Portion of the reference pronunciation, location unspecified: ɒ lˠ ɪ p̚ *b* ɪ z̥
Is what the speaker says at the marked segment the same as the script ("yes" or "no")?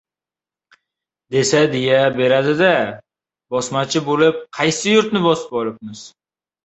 no